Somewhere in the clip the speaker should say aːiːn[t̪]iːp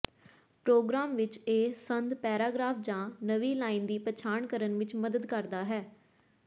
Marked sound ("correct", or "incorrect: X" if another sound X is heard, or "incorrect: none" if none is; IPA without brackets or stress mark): incorrect: d̪